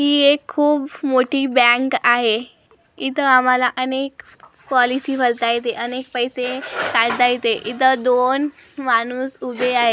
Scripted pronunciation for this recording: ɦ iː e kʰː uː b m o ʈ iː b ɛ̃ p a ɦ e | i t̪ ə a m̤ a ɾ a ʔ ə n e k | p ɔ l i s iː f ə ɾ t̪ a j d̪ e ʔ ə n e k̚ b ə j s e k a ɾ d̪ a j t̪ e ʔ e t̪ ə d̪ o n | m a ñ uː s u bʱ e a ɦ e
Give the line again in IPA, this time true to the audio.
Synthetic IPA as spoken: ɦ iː e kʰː uː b m o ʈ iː b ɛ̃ k a ɦ e | i t̪ ə a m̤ a l a ʔ ə n e k | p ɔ l i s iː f ə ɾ t̪ a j t̪ e ʔ ə n e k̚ p ə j s e k a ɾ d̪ a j t̪ e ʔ i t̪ ə d̪ o n | m a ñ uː s u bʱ e a ɦ e